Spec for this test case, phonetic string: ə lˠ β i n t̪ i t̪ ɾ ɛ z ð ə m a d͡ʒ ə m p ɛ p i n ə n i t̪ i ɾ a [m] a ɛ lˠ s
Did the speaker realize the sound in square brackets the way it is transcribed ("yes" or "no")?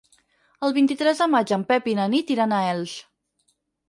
no